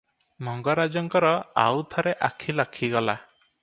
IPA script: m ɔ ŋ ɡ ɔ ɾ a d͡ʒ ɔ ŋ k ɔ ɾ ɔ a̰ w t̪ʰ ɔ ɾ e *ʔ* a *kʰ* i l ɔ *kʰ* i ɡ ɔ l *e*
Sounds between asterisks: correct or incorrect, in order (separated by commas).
correct, correct, correct, incorrect